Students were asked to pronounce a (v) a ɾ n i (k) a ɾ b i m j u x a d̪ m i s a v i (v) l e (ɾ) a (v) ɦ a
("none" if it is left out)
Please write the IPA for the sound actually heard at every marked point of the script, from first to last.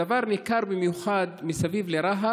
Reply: v, k, v, ɾ, none

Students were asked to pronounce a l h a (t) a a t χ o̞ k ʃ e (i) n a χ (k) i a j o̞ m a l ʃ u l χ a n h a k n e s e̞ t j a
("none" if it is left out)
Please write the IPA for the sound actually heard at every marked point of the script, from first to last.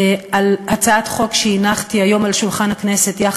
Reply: t͡s, i, t

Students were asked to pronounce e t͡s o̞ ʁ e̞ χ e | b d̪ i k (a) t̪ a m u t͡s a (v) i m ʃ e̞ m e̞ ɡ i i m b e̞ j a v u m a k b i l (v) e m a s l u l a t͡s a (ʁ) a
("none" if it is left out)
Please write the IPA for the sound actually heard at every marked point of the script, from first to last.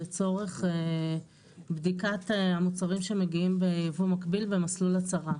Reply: a, ʁ, v, ʁ

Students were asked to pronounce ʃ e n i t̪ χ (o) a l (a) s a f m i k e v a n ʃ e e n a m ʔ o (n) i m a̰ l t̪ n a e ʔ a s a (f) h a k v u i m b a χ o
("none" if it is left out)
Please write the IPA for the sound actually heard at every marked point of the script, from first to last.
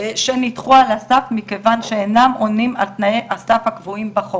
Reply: u, a, n, f

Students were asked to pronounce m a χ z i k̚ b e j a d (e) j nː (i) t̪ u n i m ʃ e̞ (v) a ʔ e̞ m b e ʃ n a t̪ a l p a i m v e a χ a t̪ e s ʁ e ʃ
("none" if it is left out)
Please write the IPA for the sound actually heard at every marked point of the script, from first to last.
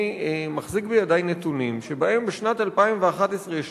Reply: a, e, b

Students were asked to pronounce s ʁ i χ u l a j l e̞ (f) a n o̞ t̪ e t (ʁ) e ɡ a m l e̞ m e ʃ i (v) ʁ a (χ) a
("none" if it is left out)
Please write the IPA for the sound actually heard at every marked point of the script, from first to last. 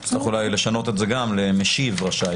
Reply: ʃ, z, v, ʃ

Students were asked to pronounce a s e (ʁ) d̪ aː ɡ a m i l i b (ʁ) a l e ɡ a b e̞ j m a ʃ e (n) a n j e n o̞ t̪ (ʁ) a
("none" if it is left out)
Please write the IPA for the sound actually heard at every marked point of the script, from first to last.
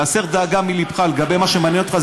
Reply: ʁ, χ, m, χ

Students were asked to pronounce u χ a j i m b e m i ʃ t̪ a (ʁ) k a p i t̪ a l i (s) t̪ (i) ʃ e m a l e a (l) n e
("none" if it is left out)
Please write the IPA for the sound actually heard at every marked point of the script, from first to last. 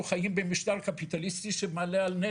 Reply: ʁ, s, i, l

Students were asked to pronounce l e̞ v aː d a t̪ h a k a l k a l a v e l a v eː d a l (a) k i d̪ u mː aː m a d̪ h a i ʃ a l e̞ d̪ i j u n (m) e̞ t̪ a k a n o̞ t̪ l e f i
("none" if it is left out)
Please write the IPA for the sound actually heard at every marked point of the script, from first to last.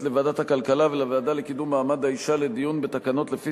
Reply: e, b

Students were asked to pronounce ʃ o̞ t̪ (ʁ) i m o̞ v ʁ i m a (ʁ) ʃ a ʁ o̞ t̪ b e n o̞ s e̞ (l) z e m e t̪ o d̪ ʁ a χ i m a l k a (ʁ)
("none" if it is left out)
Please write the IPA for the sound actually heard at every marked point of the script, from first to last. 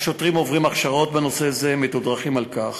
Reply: ʁ, χ, none, χ

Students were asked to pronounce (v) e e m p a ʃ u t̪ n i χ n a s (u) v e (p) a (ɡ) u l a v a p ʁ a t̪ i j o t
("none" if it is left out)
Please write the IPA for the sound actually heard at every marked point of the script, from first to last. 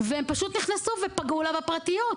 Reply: v, u, p, ɡ

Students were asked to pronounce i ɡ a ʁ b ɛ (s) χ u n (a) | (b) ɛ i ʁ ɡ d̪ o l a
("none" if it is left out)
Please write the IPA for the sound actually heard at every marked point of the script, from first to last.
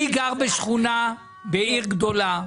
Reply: ʃ, a, b

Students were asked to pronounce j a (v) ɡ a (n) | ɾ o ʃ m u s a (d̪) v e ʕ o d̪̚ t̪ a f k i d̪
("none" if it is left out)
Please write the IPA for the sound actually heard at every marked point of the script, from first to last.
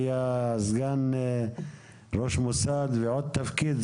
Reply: z, n, d̪

